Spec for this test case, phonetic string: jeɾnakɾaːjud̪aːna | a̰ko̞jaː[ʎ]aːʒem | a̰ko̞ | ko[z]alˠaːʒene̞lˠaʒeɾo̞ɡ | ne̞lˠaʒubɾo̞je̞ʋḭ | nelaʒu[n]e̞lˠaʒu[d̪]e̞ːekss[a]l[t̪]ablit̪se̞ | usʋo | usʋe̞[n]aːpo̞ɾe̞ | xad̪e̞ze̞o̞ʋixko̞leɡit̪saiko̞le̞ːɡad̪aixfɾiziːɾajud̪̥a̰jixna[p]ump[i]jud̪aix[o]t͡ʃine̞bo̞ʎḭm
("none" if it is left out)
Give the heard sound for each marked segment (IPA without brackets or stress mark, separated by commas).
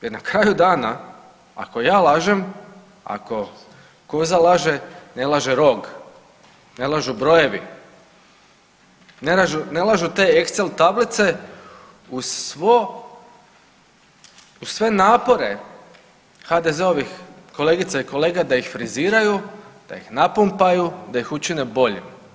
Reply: l, z, n, t̪, e, t̪, n, p, a, u